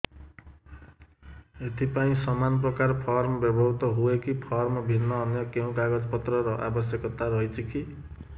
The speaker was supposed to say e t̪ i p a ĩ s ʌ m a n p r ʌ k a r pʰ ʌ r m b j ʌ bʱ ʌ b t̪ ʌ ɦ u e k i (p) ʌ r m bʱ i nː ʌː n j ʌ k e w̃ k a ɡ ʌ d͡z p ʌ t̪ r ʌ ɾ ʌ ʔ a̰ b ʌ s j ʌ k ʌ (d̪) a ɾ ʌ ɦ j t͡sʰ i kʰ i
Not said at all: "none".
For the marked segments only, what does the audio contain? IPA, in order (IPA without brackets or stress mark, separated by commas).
pʰ, t̪